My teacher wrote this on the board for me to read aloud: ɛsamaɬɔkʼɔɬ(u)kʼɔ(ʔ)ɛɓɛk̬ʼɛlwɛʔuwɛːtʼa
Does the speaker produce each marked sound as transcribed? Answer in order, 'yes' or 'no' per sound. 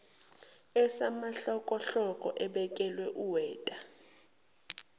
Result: no, yes

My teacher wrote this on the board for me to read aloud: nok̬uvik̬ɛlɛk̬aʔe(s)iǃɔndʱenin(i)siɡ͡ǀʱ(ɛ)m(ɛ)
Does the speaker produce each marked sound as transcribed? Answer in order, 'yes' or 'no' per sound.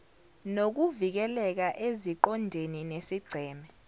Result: no, no, no, yes

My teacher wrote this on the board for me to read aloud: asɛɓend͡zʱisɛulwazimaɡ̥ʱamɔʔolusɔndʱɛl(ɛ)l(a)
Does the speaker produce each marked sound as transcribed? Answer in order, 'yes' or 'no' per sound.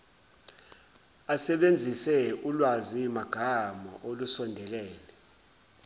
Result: no, no

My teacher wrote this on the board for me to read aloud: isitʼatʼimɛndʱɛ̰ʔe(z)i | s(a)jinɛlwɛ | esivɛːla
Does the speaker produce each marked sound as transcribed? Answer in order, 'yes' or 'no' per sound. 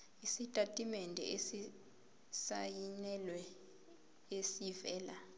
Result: no, yes

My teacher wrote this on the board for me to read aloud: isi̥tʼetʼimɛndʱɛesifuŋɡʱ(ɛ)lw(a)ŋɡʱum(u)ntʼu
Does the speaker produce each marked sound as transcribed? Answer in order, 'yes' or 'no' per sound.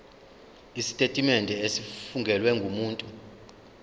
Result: yes, no, no

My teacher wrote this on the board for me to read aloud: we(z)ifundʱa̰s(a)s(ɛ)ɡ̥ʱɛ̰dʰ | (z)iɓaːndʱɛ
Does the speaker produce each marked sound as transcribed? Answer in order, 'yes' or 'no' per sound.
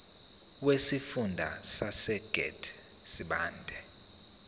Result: no, yes, yes, no

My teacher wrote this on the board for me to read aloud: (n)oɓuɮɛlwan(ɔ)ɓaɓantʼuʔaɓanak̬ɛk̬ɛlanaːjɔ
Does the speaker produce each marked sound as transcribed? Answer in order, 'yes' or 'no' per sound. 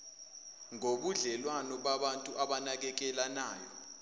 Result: no, yes

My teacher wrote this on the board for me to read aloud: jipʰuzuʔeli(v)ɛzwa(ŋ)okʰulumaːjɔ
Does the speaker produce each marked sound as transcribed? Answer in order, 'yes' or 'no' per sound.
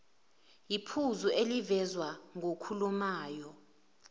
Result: yes, yes

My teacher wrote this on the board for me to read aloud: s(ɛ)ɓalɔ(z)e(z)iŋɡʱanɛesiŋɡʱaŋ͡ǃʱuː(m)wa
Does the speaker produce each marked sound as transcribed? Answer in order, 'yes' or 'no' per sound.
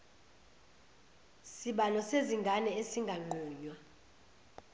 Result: no, no, yes, no

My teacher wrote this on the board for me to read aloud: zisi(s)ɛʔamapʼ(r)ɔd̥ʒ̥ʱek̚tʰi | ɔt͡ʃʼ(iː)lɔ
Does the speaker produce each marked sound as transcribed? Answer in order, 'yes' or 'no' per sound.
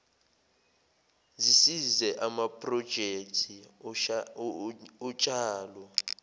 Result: no, yes, no

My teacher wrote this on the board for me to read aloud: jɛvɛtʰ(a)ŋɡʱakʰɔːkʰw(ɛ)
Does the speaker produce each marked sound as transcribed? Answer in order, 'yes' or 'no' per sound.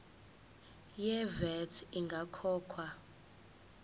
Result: no, no

